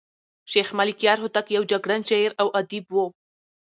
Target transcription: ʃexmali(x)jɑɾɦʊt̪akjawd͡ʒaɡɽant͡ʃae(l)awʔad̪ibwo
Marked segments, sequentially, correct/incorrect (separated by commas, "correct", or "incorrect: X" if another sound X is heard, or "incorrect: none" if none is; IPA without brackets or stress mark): incorrect: k, incorrect: ɾ